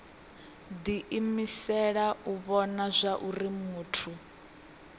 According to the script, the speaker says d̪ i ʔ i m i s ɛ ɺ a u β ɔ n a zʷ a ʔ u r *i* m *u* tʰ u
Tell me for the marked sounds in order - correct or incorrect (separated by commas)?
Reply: correct, incorrect